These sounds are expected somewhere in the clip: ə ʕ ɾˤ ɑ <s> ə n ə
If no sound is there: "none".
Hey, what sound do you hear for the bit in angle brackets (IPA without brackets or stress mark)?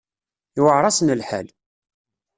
s